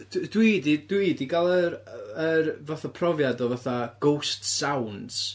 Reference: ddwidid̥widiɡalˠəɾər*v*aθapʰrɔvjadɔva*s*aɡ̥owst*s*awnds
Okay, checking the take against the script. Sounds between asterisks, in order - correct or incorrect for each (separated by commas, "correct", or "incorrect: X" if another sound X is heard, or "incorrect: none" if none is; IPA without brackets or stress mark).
correct, incorrect: θ, correct